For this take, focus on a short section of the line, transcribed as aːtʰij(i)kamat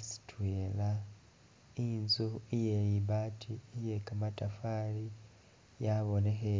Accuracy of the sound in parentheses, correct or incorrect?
incorrect